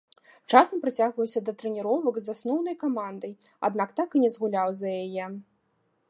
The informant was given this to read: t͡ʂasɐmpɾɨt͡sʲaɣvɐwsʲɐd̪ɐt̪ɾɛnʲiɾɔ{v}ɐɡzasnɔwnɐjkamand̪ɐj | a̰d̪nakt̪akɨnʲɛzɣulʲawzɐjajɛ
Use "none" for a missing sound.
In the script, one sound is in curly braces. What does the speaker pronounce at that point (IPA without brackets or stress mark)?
v